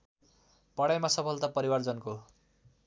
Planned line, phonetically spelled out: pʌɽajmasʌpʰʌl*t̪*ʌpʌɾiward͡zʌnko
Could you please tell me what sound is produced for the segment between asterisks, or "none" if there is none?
t̪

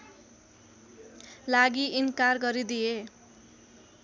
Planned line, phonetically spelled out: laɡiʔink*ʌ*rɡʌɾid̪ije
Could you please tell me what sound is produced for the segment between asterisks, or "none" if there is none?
a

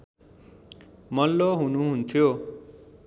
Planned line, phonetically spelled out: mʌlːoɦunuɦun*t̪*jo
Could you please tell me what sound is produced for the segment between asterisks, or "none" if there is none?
t̪ʰ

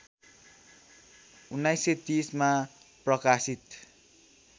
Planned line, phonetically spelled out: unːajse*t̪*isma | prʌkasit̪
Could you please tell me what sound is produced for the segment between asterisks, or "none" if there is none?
t̪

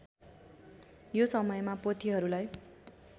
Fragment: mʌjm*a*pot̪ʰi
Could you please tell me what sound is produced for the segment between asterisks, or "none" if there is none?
a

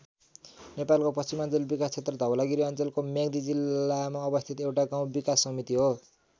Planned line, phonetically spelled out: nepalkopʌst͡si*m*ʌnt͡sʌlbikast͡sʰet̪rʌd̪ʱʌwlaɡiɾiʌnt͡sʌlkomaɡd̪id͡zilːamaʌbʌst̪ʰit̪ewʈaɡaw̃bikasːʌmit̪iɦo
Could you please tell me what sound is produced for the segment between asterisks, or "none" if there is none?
m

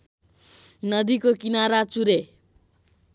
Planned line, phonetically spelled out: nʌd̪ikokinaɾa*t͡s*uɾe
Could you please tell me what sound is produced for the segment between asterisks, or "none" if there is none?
t͡s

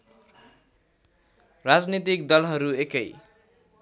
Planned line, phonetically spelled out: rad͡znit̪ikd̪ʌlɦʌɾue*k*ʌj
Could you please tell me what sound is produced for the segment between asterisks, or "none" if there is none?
k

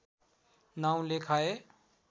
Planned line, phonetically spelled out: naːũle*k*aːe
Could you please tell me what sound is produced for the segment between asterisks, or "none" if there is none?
kʰ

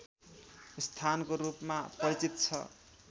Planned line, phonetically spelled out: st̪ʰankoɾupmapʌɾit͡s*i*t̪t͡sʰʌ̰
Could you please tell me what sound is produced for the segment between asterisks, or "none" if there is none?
i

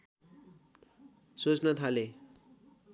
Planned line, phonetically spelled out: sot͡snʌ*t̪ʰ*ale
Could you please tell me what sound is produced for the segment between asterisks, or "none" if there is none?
t̪ʰ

